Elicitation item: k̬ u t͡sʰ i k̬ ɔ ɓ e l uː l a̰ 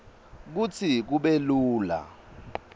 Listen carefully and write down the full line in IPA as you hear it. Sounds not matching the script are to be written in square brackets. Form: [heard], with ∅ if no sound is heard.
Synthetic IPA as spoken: k̬ u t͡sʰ i k̬ [u] ɓ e l uː l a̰